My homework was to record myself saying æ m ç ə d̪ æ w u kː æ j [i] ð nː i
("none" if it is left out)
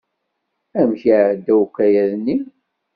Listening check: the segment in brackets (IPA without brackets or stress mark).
æ